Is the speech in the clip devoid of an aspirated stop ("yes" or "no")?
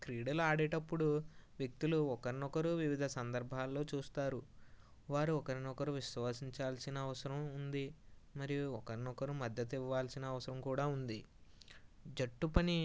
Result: yes